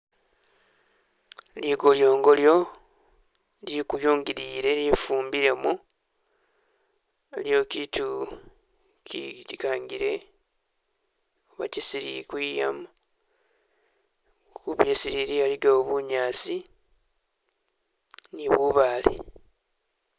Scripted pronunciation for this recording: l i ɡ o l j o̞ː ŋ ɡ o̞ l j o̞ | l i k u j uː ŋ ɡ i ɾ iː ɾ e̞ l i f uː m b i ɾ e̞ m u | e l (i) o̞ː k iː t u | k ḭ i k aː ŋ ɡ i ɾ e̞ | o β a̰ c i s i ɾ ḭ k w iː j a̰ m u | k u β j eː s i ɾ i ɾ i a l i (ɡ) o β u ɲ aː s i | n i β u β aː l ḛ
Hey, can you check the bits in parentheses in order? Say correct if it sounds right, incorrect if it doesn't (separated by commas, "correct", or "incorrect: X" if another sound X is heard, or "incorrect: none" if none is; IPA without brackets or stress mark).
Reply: incorrect: j, correct